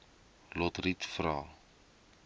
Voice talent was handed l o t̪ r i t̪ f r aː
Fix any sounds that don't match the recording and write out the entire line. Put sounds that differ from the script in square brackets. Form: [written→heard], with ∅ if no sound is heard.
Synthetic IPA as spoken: l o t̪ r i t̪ f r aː